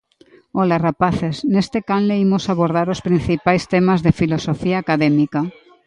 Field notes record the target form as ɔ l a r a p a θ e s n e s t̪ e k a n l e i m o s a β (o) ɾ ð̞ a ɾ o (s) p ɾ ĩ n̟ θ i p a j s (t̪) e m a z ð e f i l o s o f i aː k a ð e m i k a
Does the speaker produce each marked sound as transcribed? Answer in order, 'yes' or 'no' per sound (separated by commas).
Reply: yes, yes, yes